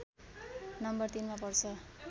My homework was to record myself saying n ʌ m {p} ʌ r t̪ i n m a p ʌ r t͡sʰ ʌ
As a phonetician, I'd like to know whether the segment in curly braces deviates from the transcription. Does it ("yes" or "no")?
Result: yes